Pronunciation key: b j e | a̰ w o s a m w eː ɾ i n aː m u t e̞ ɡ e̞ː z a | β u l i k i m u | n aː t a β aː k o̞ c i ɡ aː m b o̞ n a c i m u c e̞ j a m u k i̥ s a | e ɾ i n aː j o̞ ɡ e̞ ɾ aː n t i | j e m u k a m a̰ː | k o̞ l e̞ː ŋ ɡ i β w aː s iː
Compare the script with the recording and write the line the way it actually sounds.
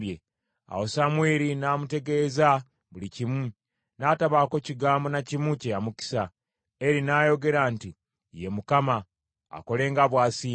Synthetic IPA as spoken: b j e | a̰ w o s a m w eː ɾ i n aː m u t e̞ ɡ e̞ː z a | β u l i c i m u | n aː t a β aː k o̞ c i ɡ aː m b o̞ n a c i m u c e̞ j a m u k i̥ s a | e ɾ i n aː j o̞ ɡ e̞ ɾ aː n t i | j e m u k a m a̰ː | k o̞ l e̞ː ŋ ɡ a β w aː s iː

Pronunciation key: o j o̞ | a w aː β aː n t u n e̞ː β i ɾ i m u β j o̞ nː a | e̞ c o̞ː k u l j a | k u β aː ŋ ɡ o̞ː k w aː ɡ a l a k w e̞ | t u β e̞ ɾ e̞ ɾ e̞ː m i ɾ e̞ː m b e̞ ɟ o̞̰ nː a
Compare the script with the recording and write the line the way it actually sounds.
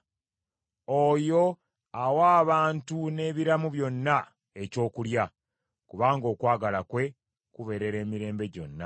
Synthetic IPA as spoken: o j o̞ | a w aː β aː n t u n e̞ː β i ɾ a m u β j o̞ nː a | e̞ c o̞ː k u l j a | k u β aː ŋ ɡ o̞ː k w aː ɡ a l a k w e̞ | k u β e̞ ɾ e̞ ɾ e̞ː m i ɾ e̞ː m b e̞ ɟ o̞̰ nː a

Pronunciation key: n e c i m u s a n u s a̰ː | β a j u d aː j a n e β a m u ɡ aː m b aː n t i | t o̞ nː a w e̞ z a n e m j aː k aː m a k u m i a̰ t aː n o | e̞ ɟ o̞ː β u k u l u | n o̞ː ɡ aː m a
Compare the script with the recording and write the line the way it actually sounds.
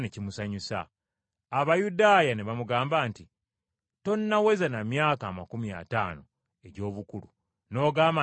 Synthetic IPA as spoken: n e c i m u s a ɲ u s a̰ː | β a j u d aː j a n e β a m u ɡ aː m b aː n t i | t o̞ nː a w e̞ z a n a m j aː k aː m a k u m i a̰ t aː n o | e̞ ɟ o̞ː β u k u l u | n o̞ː ɡ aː m a

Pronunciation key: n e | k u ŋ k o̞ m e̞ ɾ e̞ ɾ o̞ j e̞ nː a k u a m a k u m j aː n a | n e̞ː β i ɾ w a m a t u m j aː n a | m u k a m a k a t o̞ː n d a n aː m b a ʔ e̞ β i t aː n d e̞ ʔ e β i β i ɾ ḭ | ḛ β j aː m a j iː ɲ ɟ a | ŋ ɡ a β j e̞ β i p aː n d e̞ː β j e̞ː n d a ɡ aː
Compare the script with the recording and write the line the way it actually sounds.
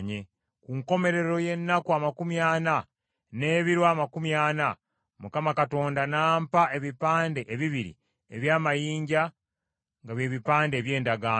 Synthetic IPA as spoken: ɲ e | k u ŋ k o̞ m e̞ ɾ e̞ ɾ o̞ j e̞ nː a k u a m a k u m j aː n a | n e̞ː β i ɾ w a m a k u m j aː n a | m u k a m a k a t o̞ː n d a n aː m p a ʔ e̞ β i p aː n d e̞ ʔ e β i β i ɾ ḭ | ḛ β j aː m a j iː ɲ ɟ a | ŋ ɡ a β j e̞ β i p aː n d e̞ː β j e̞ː n d a ɡ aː

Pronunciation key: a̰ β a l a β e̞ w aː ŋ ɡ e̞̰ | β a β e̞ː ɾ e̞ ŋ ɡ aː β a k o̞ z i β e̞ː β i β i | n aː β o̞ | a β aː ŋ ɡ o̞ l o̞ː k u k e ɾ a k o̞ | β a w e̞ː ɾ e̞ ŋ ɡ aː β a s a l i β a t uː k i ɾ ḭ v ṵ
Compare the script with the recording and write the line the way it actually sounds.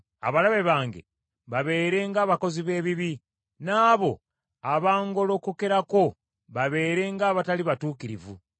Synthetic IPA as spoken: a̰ β a l a β e̞ β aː ŋ ɡ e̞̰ | β a β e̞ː ɾ e̞ ŋ ɡ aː β a k o̞ z i β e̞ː β i β i | n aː β o̞ | a β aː ŋ ɡ o̞ l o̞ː k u k e ɾ a k o̞ | β a β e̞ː ɾ e̞ ŋ ɡ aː β a t a l i β a t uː k i ɾ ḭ v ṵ

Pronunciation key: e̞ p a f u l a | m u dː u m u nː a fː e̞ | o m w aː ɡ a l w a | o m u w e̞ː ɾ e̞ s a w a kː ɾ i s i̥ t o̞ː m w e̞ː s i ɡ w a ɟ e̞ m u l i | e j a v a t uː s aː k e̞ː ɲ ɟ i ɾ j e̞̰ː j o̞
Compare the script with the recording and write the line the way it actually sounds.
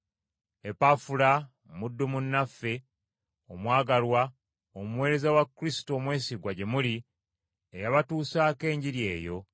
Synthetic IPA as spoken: e̞ p a f u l a | m u dː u m u nː a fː e̞ | o m w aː ɡ a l w a | o m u w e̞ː ɾ e̞ z a w a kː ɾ i s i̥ t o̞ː m w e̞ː s i ɡ w a ɟ e̞ m u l i | e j a β a t uː s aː k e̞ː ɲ ɟ i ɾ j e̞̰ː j o̞

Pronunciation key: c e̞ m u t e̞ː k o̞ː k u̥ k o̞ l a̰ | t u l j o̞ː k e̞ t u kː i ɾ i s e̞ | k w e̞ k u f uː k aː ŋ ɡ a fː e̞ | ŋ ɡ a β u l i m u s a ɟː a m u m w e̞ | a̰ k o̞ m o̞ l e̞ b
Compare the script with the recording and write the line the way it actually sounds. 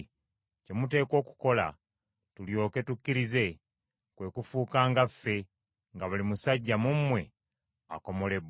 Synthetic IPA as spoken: c e̞ m u t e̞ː k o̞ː k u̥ k o̞ l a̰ | t u l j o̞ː k e̞ t u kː i ɾ i z e̞ | k w e̞ k u f uː k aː ŋ ɡ a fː e̞ | ŋ ɡ a β u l i m u s a ɟː a m u m w e̞ | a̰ k o̞ m o̞ l e̞ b

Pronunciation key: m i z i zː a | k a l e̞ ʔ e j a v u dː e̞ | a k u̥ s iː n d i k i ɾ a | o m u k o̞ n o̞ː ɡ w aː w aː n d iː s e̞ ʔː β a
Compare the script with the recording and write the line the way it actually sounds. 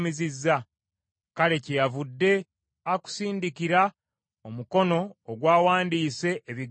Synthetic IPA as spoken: m i z i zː a | k a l e̞ c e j a v u dː e̞ | a k u̥ s iː n d i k i ɾ a | o m u k o̞ n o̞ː ɡ w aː w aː n d iː s e̞ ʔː β i

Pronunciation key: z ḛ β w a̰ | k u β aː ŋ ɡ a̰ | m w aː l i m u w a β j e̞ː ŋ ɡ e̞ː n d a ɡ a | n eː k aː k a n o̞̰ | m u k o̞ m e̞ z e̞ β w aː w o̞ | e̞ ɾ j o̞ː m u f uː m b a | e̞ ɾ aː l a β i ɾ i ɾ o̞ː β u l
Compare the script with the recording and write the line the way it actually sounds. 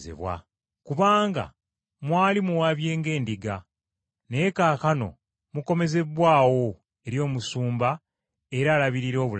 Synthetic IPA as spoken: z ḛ β w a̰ | k u β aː ŋ ɡ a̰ | m w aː l i m u w a β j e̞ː ŋ ɡ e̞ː n d i ɡ a | n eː k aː k a n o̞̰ | m u k o̞ m e̞ z e̞ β w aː w o̞ | e̞ ɾ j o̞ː m u s uː m b a | e̞ ɾ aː l a β i ɾ i ɾ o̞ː β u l

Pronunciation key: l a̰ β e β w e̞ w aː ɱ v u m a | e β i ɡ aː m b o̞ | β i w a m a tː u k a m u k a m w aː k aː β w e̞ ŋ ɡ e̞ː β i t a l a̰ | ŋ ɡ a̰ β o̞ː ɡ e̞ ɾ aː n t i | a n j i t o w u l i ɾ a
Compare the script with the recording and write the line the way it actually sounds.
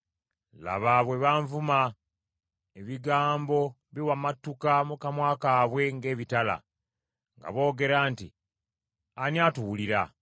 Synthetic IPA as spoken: l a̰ β a β w e̞ β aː ɱ v u m a | e β i ɡ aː m b o̞ | β i w a m a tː u k a m u k a m w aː k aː β w e̞ ŋ ɡ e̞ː β i t a l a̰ | ŋ ɡ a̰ β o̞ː ɡ e̞ ɾ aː n t i | a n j a t u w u l i ɾ a

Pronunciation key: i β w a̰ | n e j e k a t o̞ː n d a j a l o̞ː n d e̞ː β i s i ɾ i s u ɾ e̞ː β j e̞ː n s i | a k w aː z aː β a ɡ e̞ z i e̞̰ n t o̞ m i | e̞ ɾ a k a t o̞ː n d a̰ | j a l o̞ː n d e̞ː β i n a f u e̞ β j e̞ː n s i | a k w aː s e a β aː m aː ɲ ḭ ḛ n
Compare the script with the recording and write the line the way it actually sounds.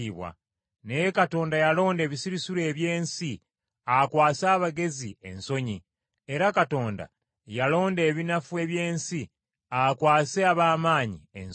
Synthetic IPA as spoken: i β w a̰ | n e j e k a t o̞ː n d a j a l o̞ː n d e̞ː β i s i ɾ i s u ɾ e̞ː β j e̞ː n s i | a k w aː s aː β a ɡ e̞ z i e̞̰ n s o̞ ɲ i | e̞ ɾ a k a t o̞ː n d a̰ | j a l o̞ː n d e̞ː β i n a f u e̞ β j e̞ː n s i | a k w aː s e a β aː m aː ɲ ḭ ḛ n

